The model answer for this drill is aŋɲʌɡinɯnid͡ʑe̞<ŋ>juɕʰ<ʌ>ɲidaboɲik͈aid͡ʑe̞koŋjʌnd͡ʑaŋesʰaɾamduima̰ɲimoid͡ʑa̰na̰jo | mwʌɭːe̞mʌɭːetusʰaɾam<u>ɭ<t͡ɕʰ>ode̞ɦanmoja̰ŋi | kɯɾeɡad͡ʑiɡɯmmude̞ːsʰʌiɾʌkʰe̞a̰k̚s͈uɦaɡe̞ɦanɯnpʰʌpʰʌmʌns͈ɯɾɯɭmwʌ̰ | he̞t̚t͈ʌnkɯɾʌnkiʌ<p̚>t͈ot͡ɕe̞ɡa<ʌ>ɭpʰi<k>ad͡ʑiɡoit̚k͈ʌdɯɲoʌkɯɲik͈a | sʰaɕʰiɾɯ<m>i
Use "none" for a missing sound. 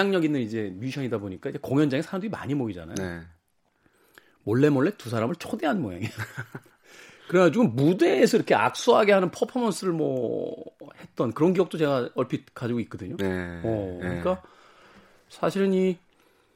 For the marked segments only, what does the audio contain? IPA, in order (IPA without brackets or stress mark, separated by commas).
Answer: m, ʌ, ɯ, t͡ɕʰ, k̚, ʌ, k, n